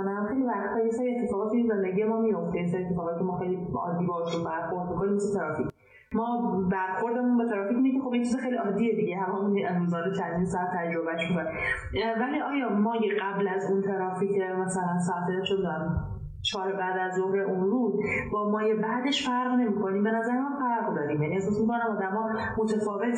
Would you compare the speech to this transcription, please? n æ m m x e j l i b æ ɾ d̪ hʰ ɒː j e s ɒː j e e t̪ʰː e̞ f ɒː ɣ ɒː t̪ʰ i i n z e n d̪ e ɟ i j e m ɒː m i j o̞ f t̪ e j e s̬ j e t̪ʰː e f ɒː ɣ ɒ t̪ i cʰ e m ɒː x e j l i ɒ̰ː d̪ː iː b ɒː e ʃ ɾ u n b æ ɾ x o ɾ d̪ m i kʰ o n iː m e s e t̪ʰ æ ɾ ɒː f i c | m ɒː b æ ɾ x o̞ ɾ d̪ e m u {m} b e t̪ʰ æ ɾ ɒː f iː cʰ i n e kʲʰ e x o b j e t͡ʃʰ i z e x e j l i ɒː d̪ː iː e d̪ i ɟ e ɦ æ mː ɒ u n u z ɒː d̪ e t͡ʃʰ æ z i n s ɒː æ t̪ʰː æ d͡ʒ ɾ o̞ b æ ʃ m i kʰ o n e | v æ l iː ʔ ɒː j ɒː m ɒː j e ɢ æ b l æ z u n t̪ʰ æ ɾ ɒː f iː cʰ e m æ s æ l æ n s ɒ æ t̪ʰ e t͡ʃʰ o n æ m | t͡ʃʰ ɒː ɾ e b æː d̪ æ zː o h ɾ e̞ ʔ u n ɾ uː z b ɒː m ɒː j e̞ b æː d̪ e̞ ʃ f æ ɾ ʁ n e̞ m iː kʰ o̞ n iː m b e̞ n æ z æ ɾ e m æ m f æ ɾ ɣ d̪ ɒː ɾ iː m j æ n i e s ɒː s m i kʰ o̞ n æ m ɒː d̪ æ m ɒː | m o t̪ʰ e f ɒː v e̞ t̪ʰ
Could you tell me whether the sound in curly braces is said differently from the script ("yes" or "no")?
yes